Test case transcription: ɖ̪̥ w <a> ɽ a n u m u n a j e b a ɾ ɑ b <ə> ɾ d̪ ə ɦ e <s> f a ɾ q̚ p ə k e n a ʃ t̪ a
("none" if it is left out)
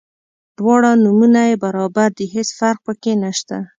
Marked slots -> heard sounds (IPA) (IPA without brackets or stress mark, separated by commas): ɑ, a, s